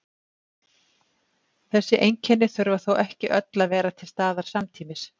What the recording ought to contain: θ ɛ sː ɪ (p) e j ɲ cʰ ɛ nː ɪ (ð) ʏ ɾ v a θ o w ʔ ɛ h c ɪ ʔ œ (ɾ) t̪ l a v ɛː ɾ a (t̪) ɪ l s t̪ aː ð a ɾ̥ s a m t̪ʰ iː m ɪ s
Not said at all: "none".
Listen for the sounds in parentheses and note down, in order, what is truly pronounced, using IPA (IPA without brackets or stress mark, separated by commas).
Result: ʔ, θ, none, t̪ʰ